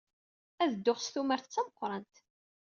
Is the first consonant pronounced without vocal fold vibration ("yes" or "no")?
no